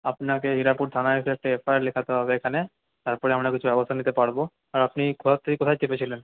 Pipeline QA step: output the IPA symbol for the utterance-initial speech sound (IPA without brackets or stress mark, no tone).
a